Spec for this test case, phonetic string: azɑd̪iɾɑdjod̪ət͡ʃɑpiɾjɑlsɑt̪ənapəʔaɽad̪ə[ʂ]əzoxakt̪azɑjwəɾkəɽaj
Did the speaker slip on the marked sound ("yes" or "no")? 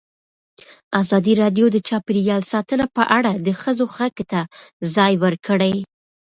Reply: yes